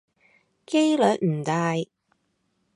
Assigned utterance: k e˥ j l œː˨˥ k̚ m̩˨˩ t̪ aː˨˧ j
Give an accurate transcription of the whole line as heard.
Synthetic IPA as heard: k e˥ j l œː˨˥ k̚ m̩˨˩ t̪ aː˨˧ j